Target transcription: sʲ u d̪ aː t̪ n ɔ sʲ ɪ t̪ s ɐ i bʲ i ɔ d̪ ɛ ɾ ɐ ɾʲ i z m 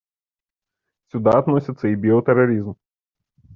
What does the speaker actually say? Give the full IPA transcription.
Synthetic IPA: sʲ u d̪ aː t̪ n ɔ sʲ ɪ t̪ s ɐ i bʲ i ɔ t̪ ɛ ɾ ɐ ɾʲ i z m